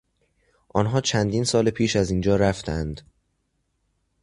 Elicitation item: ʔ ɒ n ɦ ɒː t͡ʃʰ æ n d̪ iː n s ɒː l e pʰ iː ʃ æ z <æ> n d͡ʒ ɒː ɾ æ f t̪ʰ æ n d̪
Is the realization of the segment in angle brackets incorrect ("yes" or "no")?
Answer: yes